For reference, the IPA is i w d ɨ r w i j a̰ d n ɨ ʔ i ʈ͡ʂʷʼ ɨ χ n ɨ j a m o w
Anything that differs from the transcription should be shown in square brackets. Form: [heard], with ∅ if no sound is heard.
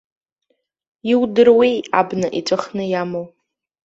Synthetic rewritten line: i w d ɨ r w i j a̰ [b] n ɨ ʔ i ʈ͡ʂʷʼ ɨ χ n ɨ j a m o w